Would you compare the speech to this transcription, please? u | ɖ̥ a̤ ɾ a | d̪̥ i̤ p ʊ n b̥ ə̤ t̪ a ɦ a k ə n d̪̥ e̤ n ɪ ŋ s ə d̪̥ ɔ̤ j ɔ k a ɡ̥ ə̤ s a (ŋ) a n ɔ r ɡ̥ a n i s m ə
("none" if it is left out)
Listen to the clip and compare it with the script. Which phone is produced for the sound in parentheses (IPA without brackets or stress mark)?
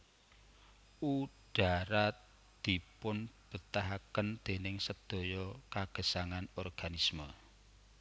ŋ